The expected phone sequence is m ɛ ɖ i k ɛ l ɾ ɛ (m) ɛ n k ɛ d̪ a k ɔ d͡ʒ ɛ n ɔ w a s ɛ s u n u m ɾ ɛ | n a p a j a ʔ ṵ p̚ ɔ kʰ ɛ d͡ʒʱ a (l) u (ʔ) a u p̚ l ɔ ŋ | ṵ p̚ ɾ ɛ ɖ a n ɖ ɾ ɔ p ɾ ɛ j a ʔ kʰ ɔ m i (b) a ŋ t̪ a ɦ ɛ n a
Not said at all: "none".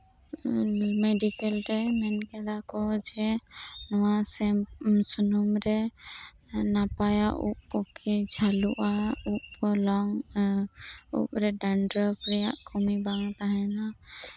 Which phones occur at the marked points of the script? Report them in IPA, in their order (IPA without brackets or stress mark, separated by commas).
m, l, ʔ, b